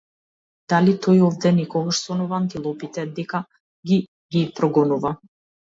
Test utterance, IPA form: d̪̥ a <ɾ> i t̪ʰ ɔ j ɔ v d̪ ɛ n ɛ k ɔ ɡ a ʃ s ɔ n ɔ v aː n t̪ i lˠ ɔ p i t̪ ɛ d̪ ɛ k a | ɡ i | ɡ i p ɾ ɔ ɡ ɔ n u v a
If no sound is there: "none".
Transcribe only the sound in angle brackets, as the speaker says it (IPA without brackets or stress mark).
l